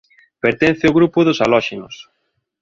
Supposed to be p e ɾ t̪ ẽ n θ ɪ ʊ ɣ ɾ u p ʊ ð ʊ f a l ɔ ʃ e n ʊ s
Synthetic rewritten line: p e ɾ t̪ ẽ n θ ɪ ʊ ɣ ɾ u p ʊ ð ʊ s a l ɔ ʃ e n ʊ s